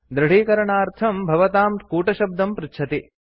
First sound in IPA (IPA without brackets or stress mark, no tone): d̪